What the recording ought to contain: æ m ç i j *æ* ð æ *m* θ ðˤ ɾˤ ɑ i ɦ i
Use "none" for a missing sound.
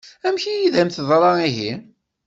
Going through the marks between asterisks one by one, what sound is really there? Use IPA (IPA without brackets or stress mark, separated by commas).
i, m